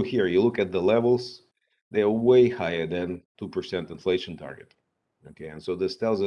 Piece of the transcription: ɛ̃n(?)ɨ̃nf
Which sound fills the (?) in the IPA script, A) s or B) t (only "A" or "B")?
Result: B